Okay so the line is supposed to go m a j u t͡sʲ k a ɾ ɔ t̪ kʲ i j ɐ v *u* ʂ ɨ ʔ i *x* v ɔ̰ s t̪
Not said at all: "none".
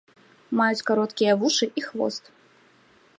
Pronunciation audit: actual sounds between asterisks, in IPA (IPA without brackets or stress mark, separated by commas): u, x